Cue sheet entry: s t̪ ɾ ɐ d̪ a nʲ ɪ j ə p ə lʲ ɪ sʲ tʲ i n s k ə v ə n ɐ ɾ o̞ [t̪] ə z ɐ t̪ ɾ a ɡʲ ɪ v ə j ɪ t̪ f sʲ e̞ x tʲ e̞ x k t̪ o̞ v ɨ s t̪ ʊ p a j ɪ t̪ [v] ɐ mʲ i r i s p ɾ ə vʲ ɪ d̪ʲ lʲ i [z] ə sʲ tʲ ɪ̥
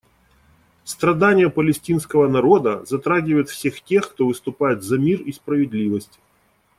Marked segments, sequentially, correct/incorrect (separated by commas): incorrect, incorrect, incorrect